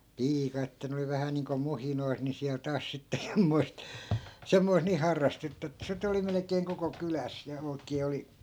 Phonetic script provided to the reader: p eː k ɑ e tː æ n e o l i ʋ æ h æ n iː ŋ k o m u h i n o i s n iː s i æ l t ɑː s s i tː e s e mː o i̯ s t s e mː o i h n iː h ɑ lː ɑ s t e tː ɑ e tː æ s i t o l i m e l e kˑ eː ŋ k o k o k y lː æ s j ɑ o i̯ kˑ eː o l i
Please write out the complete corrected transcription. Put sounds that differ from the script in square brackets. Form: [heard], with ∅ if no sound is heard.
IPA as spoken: p [iː] k ɑ e tː æ n e o l i ʋ æ h æ n iː ŋ k o m u h i n o i s n [i] s i æ l t ɑː s s i tː e s e mː o i̯ s t s e mː o i [s] n iː h ɑ [rː] ɑ s t e tː ɑ e tː æ s i t o l i m e l e kˑ eː ŋ k o k o k y [l] æ s j ɑ o i̯ kˑ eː o l i